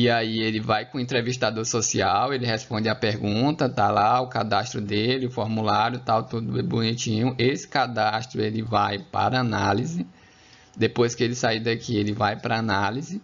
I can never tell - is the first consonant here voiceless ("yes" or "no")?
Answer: no